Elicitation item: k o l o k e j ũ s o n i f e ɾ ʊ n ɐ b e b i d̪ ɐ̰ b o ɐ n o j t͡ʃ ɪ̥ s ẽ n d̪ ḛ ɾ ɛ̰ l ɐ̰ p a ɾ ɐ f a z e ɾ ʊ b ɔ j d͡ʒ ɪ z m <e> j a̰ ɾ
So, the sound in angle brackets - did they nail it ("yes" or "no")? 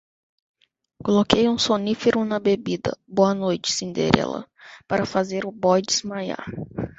no